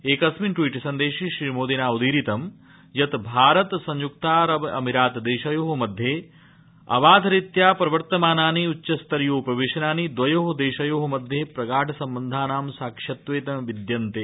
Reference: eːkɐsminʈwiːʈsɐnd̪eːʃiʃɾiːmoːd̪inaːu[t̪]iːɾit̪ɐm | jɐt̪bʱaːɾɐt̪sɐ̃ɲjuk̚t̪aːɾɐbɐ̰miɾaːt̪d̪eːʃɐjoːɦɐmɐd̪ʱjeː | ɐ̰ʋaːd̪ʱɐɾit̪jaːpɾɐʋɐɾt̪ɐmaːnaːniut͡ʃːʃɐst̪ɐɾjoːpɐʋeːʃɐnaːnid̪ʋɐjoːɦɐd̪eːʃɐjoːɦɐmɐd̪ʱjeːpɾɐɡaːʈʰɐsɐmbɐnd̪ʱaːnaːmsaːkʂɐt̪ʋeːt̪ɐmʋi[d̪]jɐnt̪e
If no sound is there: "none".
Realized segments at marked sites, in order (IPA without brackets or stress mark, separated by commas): d̪, d̪